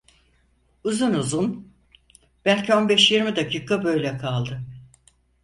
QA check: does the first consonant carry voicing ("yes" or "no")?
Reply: yes